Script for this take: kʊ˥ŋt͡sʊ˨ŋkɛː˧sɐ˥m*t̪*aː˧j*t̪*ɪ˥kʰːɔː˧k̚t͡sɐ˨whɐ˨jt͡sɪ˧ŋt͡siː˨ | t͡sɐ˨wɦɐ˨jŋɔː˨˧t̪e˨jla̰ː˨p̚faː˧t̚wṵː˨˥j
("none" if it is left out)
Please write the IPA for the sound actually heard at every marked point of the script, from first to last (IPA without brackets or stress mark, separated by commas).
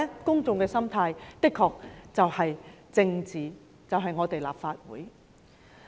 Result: t̪ʰ, t̪